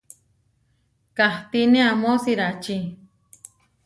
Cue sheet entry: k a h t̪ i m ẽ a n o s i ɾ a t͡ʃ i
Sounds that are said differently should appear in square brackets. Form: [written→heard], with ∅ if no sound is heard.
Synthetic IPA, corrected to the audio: k a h t̪ i [m→n] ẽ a [n→m] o s i ɾ a t͡ʃ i